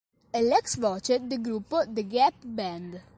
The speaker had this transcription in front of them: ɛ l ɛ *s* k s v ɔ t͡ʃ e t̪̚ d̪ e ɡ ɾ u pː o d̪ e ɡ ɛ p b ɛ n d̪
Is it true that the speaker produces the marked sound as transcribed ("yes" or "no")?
no